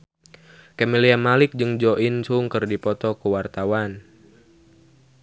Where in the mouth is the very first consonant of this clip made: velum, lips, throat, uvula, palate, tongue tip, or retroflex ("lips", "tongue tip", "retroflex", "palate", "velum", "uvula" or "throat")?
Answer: velum